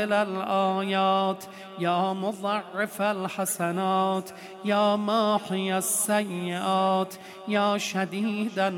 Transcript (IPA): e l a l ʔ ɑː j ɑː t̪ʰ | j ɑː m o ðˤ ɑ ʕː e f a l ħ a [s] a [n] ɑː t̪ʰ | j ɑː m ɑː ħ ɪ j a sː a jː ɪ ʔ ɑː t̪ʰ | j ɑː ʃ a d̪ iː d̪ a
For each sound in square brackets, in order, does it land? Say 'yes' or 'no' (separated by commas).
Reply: yes, yes